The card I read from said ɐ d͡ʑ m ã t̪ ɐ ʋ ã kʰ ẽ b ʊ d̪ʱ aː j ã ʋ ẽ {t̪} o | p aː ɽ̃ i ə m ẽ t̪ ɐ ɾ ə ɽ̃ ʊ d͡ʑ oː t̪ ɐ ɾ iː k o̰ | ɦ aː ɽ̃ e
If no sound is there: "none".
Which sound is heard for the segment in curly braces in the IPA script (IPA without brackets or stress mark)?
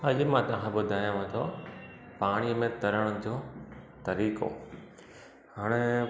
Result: t̪ʰ